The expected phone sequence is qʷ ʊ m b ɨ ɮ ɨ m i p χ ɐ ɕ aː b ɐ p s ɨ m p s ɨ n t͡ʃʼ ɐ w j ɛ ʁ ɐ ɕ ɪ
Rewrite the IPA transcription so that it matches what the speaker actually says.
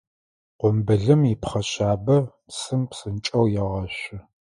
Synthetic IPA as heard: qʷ ʊ m b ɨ ɮ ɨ m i p χ ɐ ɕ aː b ɐ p s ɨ m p s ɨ n t͡ʃʼ ɐ w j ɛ ʁ ɐ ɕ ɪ